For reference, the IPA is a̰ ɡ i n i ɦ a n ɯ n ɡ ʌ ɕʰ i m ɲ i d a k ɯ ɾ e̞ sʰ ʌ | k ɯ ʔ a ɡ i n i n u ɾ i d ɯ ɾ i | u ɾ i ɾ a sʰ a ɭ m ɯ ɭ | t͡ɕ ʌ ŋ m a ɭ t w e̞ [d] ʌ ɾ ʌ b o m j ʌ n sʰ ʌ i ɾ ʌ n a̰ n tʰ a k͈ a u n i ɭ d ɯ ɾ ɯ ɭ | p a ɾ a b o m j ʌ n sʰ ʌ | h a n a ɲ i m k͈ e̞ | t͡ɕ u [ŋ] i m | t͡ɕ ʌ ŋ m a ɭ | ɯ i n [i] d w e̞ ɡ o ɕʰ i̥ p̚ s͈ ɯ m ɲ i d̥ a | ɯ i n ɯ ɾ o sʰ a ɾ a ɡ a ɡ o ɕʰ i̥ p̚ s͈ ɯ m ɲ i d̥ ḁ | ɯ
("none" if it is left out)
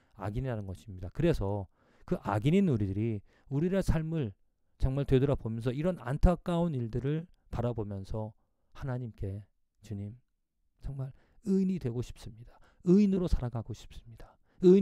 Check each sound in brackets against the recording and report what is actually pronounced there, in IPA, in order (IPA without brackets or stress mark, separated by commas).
d, ɲ, i